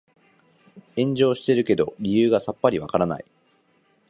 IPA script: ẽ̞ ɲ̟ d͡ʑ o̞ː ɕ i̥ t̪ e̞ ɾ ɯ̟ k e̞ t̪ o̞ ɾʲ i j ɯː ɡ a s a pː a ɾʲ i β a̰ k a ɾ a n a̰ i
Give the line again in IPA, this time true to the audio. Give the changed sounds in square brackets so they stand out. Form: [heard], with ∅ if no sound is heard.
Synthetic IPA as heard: ẽ̞ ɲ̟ d͡ʑ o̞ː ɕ i̥ t̪ e̞ ɾ ɯ̟ k e̞ [d̪] o̞ ɾʲ i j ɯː ɡ a s a pː a ɾʲ i β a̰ k a ɾ a n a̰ i